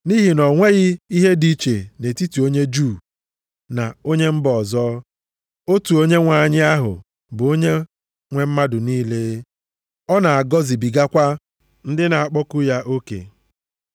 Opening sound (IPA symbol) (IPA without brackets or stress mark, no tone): n